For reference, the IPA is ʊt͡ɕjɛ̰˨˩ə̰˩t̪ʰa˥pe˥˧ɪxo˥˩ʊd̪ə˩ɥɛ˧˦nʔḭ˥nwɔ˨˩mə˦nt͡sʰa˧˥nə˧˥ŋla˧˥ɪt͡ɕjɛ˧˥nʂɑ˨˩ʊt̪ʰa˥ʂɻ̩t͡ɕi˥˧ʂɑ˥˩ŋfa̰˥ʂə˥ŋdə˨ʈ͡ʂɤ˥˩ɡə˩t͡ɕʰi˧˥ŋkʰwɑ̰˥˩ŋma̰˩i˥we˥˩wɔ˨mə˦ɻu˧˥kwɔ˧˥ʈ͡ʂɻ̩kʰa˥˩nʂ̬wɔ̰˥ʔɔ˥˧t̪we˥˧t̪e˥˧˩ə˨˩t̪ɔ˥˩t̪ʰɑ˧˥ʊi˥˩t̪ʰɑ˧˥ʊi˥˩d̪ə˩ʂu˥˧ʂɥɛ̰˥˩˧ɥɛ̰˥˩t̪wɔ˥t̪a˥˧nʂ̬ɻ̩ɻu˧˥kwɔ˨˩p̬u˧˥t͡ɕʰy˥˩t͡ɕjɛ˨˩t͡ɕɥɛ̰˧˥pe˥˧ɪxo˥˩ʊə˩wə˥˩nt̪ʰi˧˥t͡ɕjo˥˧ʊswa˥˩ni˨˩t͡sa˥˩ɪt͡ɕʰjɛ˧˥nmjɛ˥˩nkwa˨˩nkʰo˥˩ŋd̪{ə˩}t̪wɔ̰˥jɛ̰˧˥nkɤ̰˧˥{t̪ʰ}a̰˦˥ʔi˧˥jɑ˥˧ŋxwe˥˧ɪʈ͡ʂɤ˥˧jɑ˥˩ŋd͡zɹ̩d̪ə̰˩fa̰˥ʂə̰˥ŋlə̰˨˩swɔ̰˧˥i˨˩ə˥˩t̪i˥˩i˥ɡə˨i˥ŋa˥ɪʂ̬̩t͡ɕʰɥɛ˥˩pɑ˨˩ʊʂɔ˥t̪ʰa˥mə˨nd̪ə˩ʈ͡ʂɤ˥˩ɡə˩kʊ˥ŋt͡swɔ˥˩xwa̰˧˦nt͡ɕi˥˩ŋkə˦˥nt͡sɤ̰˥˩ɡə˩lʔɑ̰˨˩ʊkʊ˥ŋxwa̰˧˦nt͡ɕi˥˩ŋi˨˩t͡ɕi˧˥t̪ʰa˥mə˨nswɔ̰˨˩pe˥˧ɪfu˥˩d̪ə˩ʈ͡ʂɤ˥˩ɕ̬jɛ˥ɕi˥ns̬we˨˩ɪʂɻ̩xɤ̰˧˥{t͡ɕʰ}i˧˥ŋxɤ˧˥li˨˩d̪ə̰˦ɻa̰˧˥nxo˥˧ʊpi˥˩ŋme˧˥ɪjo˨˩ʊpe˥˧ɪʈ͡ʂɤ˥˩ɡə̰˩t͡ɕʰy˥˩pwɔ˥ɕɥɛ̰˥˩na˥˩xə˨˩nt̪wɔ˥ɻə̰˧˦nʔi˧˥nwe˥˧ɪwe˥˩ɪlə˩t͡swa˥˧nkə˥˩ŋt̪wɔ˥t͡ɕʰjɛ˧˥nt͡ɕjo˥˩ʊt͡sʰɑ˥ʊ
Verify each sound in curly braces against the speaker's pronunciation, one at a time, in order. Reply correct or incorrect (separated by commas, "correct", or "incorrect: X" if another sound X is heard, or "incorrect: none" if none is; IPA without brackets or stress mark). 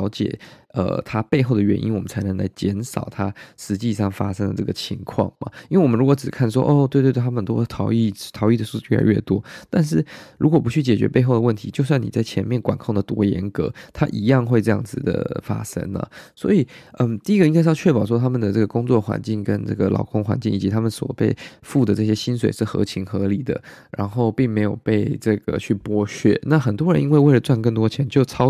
correct, correct, correct